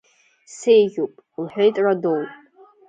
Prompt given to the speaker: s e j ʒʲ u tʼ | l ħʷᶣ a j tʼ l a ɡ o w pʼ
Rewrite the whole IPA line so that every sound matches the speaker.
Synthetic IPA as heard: s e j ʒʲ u pʼ | l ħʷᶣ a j tʼ r a d o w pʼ